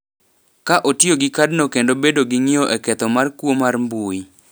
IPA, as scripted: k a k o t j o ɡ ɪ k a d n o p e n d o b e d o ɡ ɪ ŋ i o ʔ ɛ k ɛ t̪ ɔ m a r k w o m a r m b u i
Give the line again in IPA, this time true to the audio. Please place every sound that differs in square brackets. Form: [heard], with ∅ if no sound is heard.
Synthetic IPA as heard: k a [ʔ] o t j o ɡ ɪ k a d n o [k] e n d o b e d o ɡ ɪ ŋ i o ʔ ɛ k ɛ t̪ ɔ m a r k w o m a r m b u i